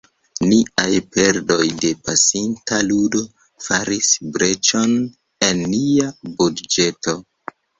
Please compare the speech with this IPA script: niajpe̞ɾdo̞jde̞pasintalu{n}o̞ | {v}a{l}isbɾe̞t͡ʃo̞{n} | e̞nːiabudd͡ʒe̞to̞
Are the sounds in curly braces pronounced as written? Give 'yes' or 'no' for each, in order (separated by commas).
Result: no, no, no, yes